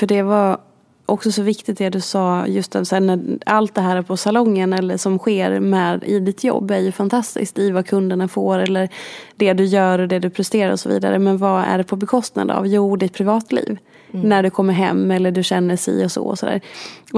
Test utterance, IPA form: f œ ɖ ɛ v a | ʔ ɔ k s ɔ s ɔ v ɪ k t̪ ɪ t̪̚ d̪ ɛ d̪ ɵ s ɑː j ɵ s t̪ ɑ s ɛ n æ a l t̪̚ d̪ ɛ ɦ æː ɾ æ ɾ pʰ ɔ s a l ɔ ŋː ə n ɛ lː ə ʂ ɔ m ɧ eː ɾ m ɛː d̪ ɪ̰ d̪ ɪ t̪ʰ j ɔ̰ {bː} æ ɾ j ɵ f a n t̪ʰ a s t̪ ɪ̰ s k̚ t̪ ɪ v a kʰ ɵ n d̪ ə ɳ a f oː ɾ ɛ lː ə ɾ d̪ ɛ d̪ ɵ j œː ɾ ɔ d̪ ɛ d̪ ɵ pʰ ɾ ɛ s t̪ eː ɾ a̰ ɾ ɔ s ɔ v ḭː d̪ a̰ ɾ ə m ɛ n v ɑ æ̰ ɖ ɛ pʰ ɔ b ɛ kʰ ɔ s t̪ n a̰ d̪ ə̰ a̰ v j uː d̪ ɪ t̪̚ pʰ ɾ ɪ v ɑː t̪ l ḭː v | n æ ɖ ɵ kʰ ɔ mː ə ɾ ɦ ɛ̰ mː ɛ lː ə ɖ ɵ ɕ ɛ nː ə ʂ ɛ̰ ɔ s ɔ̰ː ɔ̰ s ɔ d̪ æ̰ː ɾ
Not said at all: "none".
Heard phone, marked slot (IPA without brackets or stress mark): bː